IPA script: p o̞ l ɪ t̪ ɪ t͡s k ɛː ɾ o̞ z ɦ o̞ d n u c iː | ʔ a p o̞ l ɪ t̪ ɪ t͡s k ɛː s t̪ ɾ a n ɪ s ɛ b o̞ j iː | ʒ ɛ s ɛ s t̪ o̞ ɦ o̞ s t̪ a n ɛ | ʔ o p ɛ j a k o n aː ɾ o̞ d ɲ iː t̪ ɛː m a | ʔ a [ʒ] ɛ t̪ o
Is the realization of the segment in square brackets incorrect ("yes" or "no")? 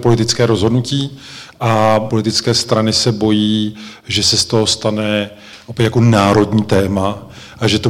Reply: no